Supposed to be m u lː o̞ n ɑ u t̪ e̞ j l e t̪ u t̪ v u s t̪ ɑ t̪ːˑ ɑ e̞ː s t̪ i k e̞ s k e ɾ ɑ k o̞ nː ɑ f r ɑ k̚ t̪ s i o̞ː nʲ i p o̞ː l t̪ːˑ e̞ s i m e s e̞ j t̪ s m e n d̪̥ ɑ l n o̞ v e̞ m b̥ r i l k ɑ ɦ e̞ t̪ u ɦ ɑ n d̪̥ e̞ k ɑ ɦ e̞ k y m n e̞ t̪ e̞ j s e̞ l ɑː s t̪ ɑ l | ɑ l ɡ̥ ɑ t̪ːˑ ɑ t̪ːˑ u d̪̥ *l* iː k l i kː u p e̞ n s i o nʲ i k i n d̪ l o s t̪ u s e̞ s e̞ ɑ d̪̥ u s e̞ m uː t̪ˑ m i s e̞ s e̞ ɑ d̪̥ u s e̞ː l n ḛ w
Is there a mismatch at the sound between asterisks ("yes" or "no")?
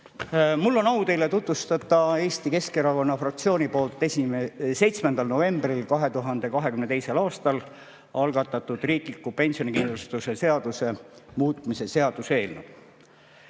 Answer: yes